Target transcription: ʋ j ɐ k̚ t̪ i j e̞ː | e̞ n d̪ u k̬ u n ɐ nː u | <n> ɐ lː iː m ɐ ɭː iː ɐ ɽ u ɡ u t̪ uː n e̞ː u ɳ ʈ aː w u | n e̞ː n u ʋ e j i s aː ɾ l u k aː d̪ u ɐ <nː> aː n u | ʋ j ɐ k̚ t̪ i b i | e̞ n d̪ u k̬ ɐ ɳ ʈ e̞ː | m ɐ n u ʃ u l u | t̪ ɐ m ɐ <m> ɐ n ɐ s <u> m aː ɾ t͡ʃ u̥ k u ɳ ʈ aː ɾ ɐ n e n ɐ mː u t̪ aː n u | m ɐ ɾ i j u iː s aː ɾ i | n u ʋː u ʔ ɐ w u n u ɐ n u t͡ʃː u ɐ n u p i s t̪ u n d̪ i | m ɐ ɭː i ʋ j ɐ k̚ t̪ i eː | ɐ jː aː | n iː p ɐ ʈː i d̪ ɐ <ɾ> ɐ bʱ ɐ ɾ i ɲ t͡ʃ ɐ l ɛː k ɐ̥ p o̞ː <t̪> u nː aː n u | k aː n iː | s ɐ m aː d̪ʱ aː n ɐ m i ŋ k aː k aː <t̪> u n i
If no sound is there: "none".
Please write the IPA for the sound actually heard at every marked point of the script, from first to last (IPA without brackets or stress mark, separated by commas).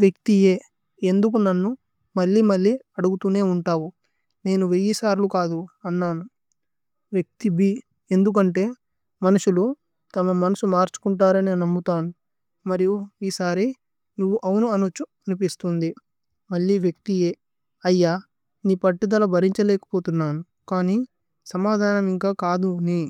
m, nː, m, u, l, t̪, d̪